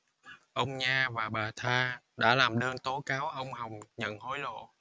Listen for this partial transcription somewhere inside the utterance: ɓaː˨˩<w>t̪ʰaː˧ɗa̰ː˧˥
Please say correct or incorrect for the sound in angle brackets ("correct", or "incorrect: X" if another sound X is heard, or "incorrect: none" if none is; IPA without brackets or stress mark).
incorrect: none